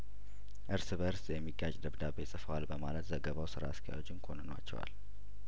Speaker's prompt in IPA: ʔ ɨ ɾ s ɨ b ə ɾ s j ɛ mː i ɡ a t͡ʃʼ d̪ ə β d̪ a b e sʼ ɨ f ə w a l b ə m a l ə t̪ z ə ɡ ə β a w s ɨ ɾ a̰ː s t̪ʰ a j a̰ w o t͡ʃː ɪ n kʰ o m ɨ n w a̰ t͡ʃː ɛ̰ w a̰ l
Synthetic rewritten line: ʔ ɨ ɾ s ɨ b ə ɾ s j ɛ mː i ɡ a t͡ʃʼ d̪ ə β d̪ a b e sʼ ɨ f ə w a l b ə m a l ə t̪ z ə ɡ ə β a w s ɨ ɾ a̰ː s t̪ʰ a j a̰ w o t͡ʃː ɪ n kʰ o n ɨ n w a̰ t͡ʃː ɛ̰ w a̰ l